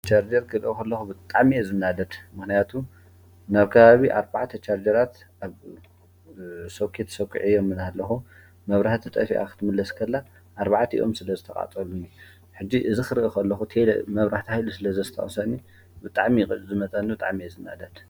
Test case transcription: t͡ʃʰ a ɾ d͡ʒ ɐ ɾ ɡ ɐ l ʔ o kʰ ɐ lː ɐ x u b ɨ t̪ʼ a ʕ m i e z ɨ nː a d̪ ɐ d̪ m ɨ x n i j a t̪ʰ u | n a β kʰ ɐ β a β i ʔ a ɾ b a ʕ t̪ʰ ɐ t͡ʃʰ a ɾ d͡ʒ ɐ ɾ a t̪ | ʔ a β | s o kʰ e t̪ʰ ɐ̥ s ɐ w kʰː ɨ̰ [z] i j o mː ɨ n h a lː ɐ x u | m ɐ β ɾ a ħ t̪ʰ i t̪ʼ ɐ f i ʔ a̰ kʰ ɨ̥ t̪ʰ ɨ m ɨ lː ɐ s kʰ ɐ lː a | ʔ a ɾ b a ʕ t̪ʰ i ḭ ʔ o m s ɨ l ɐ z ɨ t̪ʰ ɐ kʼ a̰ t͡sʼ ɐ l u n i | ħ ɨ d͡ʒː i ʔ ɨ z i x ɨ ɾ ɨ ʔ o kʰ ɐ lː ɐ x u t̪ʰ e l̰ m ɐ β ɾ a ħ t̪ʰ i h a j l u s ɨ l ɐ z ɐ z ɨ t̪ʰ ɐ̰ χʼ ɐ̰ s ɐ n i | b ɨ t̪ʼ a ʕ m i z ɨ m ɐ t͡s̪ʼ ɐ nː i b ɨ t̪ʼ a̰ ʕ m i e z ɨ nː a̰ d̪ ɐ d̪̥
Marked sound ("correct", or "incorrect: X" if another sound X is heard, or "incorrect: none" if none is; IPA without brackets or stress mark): incorrect: ʕ